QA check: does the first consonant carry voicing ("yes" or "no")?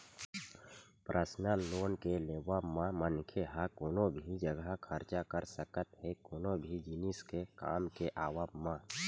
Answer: no